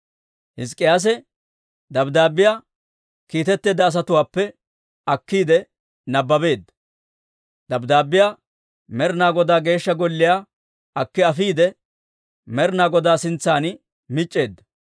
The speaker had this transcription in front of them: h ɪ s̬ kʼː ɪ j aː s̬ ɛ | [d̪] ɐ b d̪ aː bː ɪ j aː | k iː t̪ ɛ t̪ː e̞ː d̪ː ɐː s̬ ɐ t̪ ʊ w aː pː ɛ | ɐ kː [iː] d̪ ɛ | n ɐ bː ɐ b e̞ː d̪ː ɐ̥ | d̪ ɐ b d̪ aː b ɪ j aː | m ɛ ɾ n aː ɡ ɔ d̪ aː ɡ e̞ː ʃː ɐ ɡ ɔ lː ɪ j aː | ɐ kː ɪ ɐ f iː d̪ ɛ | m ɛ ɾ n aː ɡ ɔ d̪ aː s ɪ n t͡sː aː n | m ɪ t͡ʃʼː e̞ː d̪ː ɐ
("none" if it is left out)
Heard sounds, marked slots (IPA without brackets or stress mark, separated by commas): d̪, iː